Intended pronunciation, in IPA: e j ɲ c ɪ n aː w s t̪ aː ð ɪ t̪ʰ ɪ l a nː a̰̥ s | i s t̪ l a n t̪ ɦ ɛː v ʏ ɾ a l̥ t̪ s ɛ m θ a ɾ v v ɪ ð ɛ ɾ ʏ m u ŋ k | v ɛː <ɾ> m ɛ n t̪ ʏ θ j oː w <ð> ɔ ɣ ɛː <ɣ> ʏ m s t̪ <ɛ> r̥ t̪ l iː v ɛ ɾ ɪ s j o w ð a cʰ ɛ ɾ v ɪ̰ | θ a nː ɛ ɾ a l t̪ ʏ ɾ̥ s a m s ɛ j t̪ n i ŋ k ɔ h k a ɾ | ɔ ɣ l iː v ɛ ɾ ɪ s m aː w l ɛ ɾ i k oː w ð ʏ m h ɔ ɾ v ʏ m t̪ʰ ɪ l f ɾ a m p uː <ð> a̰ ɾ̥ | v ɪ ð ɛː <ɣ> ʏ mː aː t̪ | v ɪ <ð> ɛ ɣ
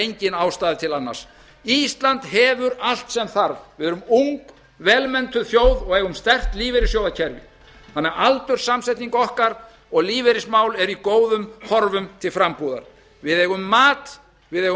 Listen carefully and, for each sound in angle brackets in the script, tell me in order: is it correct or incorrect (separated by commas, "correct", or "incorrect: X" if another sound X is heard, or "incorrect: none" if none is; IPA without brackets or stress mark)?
incorrect: l, correct, correct, correct, correct, correct, correct